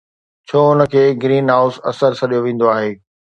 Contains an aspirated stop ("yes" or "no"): yes